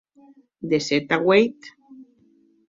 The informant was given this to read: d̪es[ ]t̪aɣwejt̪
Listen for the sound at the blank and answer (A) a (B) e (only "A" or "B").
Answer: B